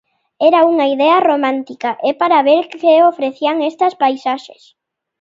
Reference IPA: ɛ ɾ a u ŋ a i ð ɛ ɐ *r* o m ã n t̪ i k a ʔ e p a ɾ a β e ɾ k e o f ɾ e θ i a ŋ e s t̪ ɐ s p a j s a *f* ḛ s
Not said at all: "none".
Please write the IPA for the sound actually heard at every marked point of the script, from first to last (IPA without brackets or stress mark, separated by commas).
r, ʃ